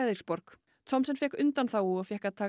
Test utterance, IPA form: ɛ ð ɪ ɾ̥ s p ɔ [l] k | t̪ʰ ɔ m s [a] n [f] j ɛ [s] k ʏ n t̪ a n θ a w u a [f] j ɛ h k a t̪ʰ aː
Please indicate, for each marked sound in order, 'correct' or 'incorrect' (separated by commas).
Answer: incorrect, incorrect, correct, incorrect, correct